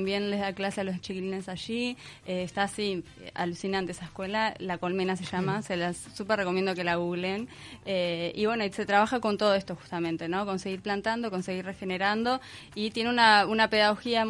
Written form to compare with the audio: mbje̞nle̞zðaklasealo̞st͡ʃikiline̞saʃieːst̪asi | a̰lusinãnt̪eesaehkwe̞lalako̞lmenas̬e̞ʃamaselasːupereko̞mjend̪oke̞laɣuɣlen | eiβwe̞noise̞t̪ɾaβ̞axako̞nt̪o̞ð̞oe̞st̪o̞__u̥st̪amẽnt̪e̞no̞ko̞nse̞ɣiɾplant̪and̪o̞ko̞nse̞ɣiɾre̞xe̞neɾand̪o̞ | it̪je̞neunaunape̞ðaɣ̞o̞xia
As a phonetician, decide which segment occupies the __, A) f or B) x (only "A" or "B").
B